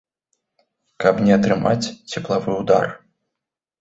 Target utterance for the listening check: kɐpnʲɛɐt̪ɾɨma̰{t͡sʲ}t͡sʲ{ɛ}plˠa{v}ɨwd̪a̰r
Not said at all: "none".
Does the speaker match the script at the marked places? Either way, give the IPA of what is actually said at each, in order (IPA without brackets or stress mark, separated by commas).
t͡sʲ, ɛ, v